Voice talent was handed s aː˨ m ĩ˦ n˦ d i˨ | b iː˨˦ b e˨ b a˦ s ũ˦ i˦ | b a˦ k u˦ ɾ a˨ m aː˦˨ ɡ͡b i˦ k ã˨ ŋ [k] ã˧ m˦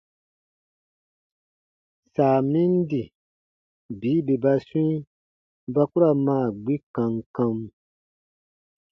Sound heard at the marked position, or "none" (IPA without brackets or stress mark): k